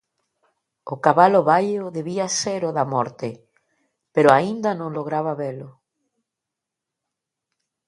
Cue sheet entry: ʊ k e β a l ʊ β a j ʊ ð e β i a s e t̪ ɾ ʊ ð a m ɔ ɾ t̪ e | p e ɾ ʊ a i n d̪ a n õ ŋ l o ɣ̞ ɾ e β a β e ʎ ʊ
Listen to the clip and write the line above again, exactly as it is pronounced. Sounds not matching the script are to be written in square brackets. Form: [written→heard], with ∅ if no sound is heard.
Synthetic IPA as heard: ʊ k [e→a] β a l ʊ β a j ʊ ð e β i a s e [t̪→∅] ɾ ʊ ð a m ɔ ɾ t̪ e | p e ɾ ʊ a i n d̪ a n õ ŋ l o ɣ̞ ɾ [e→a] β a β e [ʎ→l] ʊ